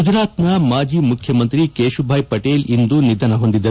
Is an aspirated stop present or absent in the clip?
present